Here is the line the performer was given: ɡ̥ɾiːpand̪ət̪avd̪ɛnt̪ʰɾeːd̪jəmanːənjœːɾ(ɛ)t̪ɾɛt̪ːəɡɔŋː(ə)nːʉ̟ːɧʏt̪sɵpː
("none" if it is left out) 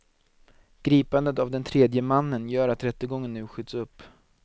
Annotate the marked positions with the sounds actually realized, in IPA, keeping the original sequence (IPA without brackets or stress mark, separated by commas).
a, ə